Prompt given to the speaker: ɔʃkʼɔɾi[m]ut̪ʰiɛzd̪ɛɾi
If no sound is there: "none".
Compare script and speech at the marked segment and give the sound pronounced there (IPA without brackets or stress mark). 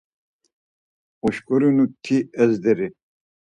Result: n